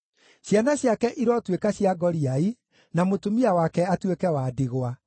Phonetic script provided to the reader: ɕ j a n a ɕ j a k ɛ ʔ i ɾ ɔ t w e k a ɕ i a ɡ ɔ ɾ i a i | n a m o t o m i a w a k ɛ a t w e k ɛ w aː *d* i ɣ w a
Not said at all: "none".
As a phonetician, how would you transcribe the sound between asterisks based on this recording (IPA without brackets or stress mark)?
d